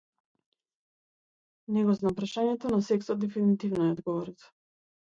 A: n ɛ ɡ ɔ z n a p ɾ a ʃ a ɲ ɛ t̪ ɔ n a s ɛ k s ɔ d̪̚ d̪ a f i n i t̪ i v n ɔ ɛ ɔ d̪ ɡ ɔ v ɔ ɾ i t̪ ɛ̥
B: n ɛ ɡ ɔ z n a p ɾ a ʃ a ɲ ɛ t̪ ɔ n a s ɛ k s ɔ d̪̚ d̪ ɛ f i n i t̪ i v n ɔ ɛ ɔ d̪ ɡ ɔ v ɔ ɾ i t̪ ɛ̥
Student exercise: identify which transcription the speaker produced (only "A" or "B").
B